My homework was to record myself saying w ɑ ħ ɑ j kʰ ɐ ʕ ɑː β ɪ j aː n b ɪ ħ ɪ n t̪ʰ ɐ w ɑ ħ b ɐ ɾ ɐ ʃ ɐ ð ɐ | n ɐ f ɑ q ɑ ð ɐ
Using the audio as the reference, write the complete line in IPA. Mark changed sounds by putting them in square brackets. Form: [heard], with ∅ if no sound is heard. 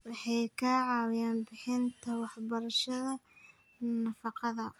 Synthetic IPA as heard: w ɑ ħ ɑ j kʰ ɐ ʕ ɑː [w] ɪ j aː n b ɪ ħ ɪ n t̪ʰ ɐ w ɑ ħ b ɐ ɾ ɐ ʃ ɐ ð ɐ | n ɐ f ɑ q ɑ ð ɐ